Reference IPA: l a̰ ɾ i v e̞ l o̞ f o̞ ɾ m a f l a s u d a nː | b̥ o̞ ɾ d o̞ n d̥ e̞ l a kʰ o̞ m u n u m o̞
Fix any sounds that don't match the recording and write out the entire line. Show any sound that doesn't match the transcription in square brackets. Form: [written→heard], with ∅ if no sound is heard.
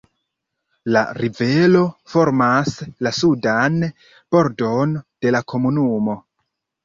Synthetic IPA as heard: l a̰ ɾ i v e̞ l o̞ f o̞ ɾ m a [f→s] l a s u d a [nː→n] | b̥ o̞ ɾ d o̞ n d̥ e̞ l a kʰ o̞ m u n u m o̞